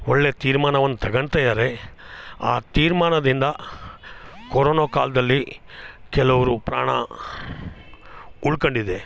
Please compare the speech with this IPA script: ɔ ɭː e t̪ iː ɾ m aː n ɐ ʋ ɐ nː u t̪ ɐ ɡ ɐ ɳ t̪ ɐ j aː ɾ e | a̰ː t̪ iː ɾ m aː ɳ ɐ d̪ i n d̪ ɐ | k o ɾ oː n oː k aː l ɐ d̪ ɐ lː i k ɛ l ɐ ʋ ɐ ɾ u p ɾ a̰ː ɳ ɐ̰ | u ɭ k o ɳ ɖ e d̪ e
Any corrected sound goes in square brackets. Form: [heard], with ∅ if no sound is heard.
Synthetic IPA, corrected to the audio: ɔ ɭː e t̪ iː ɾ m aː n ɐ ʋ ɐ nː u t̪ ɐ ɡ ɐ ɳ t̪ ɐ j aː ɾ e | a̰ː t̪ iː ɾ m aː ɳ ɐ d̪ i n d̪ ɐ | k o ɾ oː n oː k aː l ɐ d̪ ɐ lː i k ɛ l ɐ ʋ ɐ ɾ u p ɾ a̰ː ɳ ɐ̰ | u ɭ k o ɳ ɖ [i] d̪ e